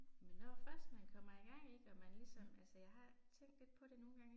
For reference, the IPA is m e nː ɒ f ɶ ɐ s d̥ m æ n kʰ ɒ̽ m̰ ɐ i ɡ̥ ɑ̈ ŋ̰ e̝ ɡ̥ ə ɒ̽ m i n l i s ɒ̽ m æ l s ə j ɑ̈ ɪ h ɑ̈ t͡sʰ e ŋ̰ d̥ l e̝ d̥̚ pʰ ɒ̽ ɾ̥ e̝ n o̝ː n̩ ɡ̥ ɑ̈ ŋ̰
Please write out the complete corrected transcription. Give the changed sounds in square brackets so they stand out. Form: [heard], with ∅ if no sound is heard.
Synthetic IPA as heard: m e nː ɒ f ɶ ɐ s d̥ m æ n kʰ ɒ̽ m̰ ɐ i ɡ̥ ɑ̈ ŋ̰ e̝ ɡ̥ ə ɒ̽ m [æ] n l i s ɒ̽ m æ l s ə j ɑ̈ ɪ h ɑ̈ t͡sʰ e ŋ̰ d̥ l e̝ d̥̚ pʰ ɒ̽ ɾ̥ e̝ n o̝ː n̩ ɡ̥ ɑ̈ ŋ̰